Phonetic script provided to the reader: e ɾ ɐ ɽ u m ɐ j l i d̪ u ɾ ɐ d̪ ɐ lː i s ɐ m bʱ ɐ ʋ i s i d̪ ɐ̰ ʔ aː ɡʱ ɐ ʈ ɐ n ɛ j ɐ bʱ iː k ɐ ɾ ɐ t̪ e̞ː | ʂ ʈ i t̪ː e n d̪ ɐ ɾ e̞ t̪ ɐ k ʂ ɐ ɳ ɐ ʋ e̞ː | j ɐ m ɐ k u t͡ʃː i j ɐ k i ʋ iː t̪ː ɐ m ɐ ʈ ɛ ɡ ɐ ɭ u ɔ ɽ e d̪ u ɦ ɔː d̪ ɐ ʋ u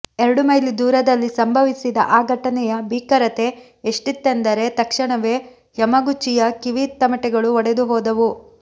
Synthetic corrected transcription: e ɾ ɐ ɽ u m ɐ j l i d̪ uː ɾ ɐ d̪ ɐ lː i s ɐ m bʱ ɐ ʋ i s i d̪ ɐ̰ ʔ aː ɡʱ ɐ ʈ ɐ n ɛ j ɐ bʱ iː k ɐ ɾ ɐ t̪ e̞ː | ʂ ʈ i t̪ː e n d̪ ɐ ɾ e̞ t̪ ɐ k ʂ ɐ ɳ ɐ ʋ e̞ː | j ɐ m ɐ ɡ u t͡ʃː i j ɐ k i ʋ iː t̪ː ɐ m ɐ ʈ ɛ ɡ ɐ ɭ u ɔ ɽ e d̪ u ɦ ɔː d̪ ɐ ʋ u